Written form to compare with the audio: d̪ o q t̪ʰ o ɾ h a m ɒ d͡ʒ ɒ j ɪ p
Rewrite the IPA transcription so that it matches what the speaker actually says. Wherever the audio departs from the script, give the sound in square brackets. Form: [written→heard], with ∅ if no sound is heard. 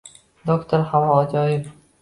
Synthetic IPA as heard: d̪ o [q→k] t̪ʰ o ɾ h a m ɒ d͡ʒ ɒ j ɪ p